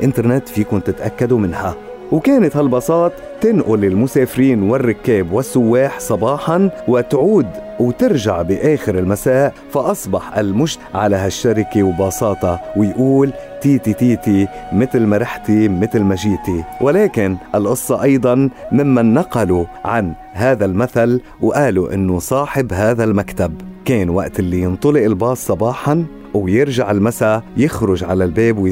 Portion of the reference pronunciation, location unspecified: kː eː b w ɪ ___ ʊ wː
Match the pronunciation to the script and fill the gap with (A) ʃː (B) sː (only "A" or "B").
B